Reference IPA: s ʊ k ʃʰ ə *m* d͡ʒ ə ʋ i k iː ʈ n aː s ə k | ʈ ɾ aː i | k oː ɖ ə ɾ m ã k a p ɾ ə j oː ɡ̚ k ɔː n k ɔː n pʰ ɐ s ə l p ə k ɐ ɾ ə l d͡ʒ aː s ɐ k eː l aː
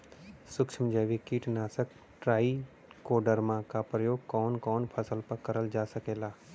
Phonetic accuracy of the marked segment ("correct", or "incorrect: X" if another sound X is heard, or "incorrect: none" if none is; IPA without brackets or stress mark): correct